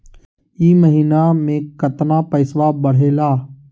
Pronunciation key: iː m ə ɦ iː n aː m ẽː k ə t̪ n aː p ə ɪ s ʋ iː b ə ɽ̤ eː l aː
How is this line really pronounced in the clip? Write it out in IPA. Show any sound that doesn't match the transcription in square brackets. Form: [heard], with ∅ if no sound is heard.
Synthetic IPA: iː m ə ɦ iː n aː m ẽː k ə t̪ n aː p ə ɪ s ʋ [aː] b ə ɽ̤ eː l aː

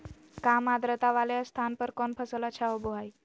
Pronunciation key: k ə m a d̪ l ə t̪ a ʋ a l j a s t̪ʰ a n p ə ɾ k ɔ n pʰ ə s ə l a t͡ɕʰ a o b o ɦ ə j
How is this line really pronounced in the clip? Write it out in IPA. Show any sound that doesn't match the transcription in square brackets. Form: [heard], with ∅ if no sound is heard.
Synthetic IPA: k [a] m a d̪ [ɾ] ə t̪ a ʋ a l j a s t̪ʰ a n p ə ɾ k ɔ n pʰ ə s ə l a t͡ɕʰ a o b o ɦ [a] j

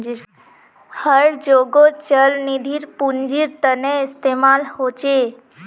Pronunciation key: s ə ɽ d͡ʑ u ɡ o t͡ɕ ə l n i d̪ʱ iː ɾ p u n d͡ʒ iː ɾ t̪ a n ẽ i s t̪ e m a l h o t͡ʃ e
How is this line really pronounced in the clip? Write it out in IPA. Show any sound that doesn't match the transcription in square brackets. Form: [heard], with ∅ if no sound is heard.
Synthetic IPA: [h] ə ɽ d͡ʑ [o] ɡ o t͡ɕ ə l n i d̪ʱ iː ɾ p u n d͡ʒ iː ɾ t̪ [ə] n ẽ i s t̪ e m a l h o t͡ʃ e

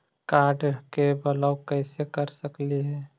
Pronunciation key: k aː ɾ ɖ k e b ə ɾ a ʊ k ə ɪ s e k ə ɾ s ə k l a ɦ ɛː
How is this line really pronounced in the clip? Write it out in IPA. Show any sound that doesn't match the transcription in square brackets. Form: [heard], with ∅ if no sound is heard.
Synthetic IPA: k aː ɾ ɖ k e b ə [l] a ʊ k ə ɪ s e k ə ɾ s ə k l [i] ɦ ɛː

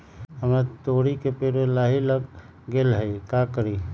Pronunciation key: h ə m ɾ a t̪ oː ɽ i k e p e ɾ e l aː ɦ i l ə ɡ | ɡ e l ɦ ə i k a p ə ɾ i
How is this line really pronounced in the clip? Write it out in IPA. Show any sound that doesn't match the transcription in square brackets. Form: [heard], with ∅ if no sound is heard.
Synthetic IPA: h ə m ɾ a t̪ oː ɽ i k e p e ɾ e l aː ɦ i l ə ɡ | ɡ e l ɦ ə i k a [k] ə ɾ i

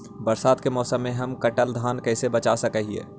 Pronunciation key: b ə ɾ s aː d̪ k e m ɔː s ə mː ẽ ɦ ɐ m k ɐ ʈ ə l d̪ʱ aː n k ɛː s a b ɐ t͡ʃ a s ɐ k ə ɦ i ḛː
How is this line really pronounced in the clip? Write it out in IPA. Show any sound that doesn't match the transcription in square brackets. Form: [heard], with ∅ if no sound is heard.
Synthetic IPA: b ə ɾ s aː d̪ k e m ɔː s ə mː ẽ ɦ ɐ m k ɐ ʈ ə l d̪ʱ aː n k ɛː s [e] b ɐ t͡ʃ a s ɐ k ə ɦ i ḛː

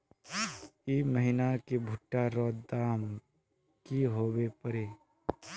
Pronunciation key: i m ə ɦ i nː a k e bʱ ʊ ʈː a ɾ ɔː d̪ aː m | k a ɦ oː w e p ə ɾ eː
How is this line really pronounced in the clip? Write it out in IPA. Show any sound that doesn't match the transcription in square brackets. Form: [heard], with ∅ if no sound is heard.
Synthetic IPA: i m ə ɦ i [n] a k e bʱ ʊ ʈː a ɾ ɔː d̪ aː m | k [i] ɦ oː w e p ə ɾ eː

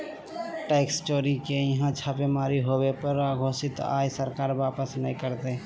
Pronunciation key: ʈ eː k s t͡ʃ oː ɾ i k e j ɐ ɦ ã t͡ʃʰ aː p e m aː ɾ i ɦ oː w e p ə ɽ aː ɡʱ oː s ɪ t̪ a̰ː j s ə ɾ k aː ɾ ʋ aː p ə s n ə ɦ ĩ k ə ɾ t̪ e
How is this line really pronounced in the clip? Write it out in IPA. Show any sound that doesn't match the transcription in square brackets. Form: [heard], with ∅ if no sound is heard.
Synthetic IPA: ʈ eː k s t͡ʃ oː ɾ i k e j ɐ ɦ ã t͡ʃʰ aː p e m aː ɾ i ɦ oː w e p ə [ɾ] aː ɡʱ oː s ɪ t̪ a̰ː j s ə ɾ k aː ɾ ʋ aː p ə s n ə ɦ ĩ k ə ɾ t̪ e

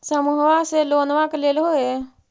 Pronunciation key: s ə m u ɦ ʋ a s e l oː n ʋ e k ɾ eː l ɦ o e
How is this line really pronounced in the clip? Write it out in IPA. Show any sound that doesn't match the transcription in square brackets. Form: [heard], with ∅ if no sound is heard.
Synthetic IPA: s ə m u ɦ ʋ a s e l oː n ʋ [a] k [l] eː l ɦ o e

